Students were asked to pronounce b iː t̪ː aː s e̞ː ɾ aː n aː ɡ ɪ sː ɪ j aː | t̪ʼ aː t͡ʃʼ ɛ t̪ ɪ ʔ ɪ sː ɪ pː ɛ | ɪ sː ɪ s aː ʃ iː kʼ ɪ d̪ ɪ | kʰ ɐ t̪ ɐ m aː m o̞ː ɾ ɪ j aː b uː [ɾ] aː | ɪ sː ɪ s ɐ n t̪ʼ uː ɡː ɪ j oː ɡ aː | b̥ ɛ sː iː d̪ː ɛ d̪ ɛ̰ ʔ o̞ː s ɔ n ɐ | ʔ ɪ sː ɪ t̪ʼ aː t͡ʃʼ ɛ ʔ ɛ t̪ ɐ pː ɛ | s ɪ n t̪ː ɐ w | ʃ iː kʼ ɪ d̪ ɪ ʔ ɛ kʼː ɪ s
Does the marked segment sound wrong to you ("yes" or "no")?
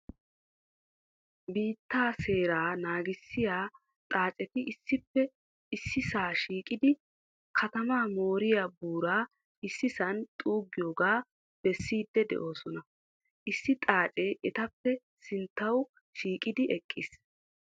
no